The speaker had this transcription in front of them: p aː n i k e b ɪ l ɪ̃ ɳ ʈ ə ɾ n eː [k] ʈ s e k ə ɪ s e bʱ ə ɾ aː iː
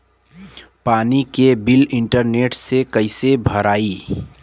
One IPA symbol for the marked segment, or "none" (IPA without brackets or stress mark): none